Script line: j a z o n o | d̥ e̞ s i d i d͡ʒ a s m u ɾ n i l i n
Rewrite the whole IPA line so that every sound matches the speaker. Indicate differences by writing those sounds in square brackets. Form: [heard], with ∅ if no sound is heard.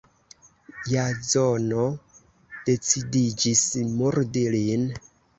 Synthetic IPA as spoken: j a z o n o | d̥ e̞ [t͡s] i d i d͡ʒ [i] s m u ɾ [d] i l i n